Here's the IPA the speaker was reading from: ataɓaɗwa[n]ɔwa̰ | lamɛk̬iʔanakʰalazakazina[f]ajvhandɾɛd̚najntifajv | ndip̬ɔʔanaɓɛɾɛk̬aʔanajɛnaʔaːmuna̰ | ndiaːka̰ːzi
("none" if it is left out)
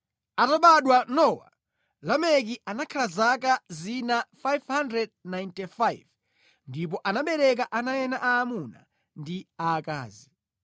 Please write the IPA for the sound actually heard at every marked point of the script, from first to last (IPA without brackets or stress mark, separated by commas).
n, f